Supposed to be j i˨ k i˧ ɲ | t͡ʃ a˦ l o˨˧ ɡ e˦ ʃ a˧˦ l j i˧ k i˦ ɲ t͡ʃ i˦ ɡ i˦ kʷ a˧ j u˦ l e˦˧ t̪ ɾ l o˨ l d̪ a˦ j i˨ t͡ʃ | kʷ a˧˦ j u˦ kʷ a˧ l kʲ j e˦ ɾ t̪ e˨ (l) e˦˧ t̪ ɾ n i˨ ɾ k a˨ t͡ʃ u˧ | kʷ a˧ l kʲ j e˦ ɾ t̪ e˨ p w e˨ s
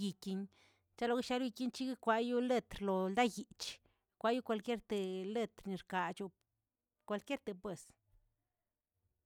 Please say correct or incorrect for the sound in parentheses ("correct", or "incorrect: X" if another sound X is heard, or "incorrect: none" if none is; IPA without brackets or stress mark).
correct